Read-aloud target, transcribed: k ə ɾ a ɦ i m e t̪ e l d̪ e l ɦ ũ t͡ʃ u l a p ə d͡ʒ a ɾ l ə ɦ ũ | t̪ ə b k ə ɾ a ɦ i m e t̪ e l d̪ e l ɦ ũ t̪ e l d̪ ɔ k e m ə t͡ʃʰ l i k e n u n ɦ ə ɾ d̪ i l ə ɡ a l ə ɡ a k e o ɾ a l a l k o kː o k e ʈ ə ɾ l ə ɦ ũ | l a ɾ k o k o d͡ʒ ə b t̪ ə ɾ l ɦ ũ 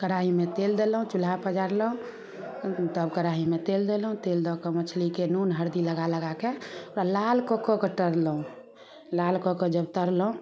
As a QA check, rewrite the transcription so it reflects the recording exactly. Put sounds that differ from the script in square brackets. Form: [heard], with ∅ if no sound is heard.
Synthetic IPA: k ə ɾ a ɦ i m e t̪ e l d̪ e l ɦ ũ t͡ʃ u l a p ə d͡ʒ a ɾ l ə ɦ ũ | t̪ ə b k ə ɾ a ɦ i m e t̪ e l d̪ e l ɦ ũ t̪ e l d̪ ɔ k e m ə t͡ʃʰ l i k e n u n ɦ ə ɾ d̪ i l ə ɡ a l ə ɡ a k e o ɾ a l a l k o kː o k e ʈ ə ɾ l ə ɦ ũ | l a [l] k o k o d͡ʒ ə b t̪ ə ɾ l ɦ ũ